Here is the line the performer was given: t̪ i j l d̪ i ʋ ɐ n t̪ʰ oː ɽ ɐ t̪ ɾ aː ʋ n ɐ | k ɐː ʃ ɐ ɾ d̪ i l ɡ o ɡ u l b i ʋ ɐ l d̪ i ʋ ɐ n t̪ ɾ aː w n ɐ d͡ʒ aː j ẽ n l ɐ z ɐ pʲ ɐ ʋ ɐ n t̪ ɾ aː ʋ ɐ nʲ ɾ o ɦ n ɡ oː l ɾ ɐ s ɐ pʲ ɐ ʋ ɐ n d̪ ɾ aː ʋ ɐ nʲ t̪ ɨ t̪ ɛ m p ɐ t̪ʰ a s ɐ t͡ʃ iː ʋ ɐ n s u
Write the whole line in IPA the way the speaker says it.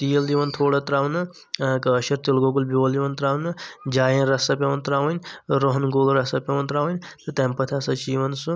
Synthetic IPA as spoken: t̪ i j l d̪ i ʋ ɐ n t̪ʰ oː ɽ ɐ t̪ ɾ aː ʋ n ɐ | k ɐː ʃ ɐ ɾ t̪ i l ɡ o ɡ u l b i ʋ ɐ l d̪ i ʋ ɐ n t̪ ɾ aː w n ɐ d͡ʒ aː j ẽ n ɾ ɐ s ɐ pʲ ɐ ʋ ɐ n t̪ ɾ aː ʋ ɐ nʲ ɾ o ɦ n ɡ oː l ɾ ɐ s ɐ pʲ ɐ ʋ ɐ n t̪ ɾ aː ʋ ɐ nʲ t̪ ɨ t̪ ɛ m p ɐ t̪ʰ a s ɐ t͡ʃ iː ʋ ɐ n s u